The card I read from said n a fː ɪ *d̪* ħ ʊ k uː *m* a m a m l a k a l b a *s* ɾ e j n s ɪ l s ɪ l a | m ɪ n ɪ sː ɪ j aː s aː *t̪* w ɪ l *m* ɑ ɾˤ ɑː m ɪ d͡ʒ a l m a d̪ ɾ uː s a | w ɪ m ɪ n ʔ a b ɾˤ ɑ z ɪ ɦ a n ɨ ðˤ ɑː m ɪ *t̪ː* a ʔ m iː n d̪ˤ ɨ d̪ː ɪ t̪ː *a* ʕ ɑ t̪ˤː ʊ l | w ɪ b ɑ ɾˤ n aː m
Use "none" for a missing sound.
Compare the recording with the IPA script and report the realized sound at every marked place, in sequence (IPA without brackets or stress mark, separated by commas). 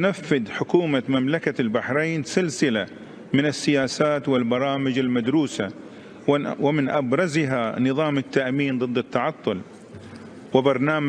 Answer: d̪, m, ħ, t̪, b, t̪ː, ɑ